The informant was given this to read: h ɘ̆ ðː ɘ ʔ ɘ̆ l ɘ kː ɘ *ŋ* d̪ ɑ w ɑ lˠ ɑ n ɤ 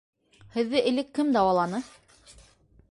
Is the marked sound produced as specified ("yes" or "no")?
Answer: no